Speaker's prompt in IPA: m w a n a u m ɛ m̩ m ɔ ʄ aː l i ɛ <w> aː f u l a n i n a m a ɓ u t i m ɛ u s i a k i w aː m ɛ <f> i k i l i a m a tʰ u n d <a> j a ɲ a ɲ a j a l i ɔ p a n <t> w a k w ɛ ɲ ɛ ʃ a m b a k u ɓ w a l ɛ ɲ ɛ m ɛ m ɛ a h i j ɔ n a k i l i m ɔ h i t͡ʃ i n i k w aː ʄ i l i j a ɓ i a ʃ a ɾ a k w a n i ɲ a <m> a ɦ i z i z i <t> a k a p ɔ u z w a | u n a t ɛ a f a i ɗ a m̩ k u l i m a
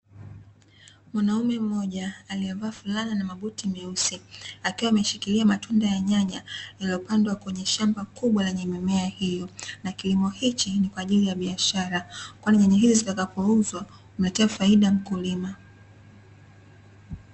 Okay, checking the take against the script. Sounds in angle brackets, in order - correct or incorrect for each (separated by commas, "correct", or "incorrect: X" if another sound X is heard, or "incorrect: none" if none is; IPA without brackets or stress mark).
incorrect: v, incorrect: ʃ, correct, incorrect: d, incorrect: ɲ, correct